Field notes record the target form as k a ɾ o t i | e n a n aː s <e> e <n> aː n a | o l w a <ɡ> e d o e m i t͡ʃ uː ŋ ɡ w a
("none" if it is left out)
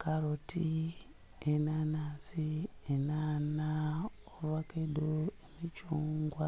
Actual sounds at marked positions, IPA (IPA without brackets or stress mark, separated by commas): i, n, k